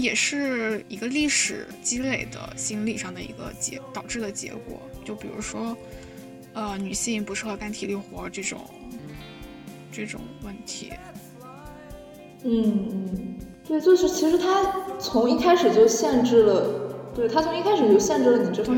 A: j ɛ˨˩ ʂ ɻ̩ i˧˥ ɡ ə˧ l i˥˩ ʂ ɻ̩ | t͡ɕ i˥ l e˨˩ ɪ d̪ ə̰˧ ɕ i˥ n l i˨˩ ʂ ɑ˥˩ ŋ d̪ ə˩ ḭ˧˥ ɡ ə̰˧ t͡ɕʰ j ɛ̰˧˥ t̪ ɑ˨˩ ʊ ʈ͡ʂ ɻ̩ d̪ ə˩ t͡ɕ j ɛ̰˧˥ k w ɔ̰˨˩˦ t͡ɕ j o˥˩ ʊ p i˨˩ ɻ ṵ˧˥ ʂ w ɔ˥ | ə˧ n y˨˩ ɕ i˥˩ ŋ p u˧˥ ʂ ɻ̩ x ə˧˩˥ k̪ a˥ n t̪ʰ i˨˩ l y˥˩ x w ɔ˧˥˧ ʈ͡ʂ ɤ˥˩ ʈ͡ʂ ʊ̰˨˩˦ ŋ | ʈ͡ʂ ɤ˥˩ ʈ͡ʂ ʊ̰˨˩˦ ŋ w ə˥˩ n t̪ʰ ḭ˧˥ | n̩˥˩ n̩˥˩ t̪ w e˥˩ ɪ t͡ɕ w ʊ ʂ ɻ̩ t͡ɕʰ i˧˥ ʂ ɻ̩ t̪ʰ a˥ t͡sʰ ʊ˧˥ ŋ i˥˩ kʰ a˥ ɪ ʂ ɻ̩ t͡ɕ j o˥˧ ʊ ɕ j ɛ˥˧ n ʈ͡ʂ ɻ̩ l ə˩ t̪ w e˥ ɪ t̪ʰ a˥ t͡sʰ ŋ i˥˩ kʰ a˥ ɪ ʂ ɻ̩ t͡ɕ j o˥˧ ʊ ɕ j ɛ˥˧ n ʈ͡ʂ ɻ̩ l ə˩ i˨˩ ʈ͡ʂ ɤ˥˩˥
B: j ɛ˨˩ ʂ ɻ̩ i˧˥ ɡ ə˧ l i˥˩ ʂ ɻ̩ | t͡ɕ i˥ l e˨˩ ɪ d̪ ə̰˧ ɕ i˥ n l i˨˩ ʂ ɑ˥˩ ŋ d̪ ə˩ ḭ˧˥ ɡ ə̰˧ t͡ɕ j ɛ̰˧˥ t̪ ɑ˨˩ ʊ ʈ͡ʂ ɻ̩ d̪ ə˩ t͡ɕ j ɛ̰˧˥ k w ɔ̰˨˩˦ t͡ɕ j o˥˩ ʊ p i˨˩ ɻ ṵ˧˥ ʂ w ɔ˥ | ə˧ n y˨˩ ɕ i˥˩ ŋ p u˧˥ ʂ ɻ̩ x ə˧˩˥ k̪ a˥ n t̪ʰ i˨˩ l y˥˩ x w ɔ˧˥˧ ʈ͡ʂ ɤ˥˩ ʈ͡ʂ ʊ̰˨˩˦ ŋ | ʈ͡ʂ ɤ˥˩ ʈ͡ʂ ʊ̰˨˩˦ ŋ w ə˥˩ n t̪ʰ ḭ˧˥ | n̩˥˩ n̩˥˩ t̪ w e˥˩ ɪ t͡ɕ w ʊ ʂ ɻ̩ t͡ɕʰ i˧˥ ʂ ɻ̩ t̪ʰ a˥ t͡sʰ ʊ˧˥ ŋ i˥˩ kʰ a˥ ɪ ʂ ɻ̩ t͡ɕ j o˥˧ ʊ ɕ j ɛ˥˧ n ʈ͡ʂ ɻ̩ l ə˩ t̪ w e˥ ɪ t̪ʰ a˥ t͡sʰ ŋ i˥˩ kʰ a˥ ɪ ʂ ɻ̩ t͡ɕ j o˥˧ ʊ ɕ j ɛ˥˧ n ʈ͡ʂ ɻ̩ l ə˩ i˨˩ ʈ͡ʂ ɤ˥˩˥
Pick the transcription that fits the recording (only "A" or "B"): B